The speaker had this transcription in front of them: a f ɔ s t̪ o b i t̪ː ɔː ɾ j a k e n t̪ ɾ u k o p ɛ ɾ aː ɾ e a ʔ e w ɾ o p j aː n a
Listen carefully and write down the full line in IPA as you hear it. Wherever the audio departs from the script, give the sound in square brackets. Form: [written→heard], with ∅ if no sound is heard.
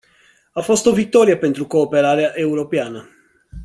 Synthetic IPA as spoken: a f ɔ s t̪ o [b→v] i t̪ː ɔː ɾ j a [k→p] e n t̪ ɾ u k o p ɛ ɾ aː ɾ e a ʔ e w ɾ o p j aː n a